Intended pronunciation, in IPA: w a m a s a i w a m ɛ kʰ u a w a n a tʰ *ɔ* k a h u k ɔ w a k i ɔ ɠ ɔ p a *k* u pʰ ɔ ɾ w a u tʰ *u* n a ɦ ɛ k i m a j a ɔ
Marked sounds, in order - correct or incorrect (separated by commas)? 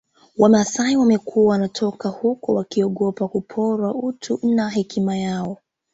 correct, correct, correct